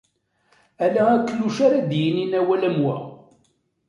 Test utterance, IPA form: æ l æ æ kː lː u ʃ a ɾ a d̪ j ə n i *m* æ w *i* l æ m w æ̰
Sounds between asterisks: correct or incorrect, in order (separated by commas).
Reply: incorrect, incorrect